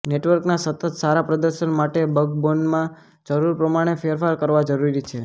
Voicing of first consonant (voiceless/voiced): voiced